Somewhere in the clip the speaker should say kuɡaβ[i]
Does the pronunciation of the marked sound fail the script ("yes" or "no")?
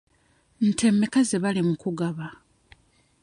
yes